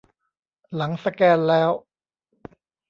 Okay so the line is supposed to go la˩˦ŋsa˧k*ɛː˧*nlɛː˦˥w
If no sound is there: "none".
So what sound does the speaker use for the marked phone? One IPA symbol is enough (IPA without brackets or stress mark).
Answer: ɛː˧